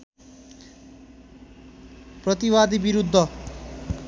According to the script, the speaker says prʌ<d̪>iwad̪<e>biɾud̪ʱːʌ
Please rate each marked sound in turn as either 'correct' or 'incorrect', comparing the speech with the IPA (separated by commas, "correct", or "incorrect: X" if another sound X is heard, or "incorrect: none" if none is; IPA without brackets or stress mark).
incorrect: t̪, incorrect: i